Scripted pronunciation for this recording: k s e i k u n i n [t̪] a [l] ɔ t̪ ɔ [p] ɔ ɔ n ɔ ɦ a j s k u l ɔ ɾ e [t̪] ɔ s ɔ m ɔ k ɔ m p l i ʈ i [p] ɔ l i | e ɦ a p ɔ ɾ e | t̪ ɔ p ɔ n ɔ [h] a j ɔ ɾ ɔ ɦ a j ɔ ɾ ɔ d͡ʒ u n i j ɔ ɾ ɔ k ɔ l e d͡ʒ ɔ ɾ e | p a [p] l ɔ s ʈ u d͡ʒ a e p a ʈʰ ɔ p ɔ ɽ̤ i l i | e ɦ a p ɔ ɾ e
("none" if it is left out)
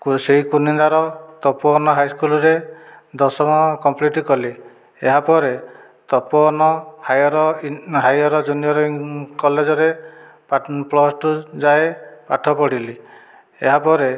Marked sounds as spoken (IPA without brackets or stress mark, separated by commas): d̪, ɾ, p, d̪, k, h, p